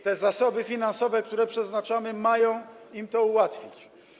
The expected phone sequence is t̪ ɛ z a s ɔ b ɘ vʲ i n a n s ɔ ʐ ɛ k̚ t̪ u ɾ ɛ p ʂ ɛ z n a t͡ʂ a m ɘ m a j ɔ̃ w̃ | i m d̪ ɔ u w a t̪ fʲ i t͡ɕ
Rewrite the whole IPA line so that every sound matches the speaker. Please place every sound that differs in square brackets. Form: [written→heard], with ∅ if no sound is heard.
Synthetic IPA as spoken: t̪ ɛ z a s ɔ b ɘ [vʲ→fʲ] i n a n s ɔ [ʐ→v] ɛ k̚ t̪ u ɾ ɛ p ʂ ɛ z n a t͡ʂ a m ɘ m a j ɔ̃ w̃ | i m [d̪→t̪] ɔ u w a t̪ fʲ i t͡ɕ